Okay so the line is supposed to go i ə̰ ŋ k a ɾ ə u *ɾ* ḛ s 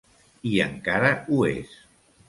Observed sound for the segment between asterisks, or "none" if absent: none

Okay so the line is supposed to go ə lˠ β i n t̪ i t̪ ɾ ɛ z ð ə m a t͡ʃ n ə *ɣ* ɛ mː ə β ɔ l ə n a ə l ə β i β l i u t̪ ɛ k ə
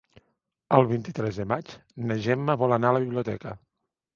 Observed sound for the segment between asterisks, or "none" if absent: ʒ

